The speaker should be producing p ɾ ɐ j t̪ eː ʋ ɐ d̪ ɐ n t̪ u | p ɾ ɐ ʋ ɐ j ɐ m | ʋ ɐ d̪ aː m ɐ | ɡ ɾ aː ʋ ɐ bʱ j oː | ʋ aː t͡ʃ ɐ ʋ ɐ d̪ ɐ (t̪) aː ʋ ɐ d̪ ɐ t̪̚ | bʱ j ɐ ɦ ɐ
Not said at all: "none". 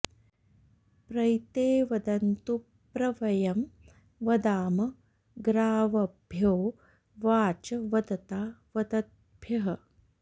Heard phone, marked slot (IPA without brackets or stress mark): t̪